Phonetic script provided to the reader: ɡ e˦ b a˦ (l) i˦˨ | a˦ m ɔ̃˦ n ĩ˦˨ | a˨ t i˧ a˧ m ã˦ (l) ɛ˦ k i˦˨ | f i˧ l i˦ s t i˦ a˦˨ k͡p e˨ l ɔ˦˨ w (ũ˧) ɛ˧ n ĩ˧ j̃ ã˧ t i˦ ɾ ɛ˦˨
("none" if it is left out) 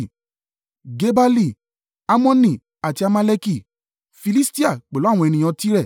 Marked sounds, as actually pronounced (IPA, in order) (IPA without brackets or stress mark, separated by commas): l, l, ɔ̃˧